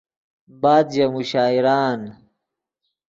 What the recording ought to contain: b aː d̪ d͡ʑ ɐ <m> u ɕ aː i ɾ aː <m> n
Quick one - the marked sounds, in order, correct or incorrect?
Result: correct, incorrect: none

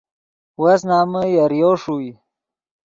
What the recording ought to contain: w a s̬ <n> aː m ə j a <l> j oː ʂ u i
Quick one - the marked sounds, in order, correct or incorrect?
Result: correct, incorrect: ɾ

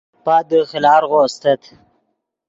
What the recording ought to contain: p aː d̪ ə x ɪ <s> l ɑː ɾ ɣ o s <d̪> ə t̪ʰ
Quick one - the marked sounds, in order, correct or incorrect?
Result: incorrect: none, incorrect: t̪

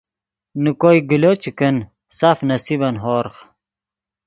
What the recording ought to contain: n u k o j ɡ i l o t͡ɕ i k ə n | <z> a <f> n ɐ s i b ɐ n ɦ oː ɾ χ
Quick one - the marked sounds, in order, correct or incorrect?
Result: incorrect: s, correct

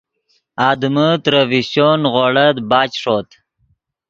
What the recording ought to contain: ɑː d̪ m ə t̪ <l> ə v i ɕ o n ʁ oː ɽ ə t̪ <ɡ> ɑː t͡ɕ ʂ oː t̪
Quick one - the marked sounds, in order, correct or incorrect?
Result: incorrect: ɾ, incorrect: b

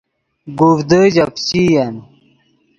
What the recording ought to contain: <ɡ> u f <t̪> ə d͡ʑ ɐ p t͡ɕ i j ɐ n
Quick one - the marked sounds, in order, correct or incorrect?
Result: correct, incorrect: d̪

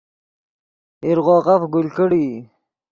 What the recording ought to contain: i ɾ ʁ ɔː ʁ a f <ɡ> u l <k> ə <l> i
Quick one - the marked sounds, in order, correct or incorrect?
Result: correct, correct, incorrect: ɽ

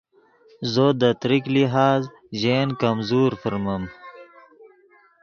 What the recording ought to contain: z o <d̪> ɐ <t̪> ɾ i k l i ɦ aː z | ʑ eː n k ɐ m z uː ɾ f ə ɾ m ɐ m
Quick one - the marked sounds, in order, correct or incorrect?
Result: correct, correct

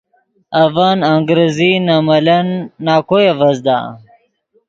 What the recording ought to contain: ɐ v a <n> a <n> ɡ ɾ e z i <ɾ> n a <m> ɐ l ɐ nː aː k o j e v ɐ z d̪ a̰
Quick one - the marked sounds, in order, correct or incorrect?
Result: correct, incorrect: ŋ, incorrect: none, correct

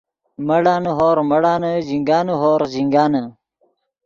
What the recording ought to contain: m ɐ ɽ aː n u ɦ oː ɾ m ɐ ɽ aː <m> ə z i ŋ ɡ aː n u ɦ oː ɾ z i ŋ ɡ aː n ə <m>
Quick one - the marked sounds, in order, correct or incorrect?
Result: incorrect: n, incorrect: none

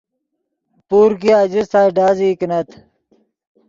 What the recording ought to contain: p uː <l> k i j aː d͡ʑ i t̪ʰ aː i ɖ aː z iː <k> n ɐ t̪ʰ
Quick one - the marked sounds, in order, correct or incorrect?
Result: incorrect: ɾ, correct

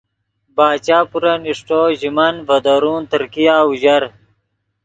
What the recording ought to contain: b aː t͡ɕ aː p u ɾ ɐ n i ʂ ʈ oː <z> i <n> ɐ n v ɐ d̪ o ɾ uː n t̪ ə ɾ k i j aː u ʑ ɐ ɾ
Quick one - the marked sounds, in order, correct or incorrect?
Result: incorrect: ʑ, incorrect: m

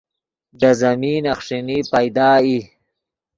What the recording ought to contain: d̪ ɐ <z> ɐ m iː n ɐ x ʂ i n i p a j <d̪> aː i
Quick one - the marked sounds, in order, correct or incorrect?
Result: correct, correct

